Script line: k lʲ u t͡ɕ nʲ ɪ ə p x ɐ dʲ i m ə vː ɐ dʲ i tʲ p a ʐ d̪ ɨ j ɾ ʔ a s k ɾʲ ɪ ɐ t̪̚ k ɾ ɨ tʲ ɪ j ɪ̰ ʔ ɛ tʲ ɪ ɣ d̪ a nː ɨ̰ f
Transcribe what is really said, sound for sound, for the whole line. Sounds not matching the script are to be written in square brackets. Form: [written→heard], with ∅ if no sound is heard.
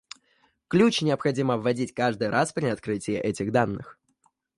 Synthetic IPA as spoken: k lʲ u t͡ɕ nʲ ɪ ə p x ɐ dʲ i m ə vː ɐ dʲ i tʲ [p→k] a ʐ d̪ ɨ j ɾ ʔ a s [k→p] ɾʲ ɪ ɐ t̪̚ k ɾ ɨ tʲ ɪ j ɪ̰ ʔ ɛ tʲ ɪ ɣ d̪ a nː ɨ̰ [f→x]